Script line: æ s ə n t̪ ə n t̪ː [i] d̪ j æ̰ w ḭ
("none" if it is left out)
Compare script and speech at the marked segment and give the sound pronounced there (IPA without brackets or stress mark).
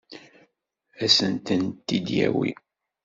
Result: i